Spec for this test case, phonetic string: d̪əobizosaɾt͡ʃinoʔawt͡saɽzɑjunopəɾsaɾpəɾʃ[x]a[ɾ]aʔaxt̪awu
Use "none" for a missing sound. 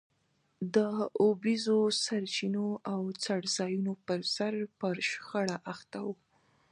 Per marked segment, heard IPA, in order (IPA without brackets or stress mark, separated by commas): x, ɽ